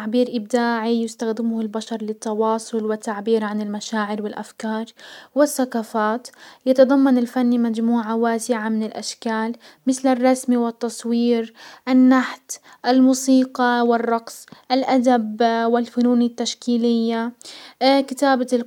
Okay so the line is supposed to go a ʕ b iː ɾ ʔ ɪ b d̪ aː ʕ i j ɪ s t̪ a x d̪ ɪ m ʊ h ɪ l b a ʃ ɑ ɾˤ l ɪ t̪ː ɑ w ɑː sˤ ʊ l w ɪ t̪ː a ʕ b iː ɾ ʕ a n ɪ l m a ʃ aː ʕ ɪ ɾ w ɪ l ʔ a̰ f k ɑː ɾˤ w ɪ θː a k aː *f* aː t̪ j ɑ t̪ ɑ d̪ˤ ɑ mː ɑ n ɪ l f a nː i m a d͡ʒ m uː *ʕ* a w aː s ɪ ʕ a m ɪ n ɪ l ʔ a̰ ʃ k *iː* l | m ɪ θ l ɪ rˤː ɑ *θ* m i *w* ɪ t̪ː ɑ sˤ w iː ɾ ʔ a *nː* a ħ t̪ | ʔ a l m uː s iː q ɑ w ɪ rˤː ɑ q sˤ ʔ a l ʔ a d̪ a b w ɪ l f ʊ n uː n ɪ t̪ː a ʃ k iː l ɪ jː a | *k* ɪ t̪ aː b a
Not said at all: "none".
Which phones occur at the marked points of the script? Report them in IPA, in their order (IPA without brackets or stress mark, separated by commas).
f, ʕ, aː, s, w, nː, k